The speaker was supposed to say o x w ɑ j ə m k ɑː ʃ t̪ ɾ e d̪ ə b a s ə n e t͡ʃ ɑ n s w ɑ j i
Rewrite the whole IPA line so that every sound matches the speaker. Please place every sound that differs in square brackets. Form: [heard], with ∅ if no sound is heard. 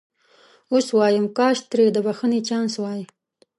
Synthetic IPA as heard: o [s] w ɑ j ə m k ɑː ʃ t̪ ɾ e d̪ ə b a [x] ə n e t͡ʃ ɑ n s w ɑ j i